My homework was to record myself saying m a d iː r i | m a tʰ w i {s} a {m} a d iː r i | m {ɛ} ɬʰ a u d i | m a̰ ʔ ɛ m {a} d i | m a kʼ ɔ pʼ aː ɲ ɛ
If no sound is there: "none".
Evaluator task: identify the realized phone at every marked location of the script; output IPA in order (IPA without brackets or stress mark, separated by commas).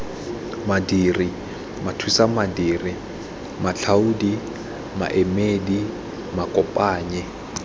s, m, a, e